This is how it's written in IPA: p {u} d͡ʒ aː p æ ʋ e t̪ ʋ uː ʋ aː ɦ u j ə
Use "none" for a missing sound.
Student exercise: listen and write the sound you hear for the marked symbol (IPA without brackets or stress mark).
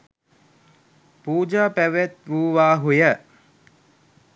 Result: uː